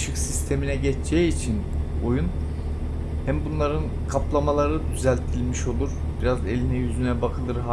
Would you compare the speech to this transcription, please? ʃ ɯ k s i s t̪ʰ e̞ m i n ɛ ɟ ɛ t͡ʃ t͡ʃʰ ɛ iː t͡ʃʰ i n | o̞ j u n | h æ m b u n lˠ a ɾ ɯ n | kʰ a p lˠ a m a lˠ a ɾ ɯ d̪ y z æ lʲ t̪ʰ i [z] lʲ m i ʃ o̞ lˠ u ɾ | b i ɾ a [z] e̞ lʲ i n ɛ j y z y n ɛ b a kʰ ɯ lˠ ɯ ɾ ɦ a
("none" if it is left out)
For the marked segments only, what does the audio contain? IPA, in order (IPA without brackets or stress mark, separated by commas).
none, z